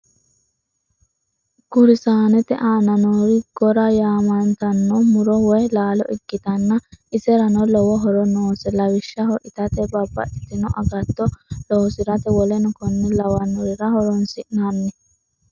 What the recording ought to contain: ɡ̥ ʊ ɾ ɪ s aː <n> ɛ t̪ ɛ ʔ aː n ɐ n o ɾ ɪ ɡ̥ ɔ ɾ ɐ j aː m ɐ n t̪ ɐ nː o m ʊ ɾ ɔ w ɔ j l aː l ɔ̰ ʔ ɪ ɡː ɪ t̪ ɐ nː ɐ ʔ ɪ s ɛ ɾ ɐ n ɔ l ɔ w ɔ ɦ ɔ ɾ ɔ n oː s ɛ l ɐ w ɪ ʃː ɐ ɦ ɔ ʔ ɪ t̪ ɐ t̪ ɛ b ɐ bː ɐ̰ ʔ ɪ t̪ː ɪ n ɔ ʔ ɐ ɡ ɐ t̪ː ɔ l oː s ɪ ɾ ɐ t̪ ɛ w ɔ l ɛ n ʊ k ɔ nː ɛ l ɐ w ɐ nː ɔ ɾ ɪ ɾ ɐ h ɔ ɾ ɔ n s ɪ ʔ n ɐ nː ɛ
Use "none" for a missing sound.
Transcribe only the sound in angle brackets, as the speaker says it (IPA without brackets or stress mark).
n